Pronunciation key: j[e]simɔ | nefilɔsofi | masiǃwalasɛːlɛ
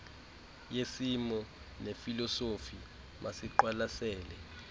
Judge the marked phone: correct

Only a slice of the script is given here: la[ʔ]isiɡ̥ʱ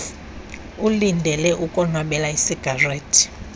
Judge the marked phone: incorrect: none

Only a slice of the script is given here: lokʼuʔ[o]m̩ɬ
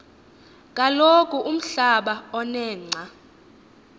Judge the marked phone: incorrect: u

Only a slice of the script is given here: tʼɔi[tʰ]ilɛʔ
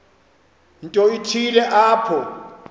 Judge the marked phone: correct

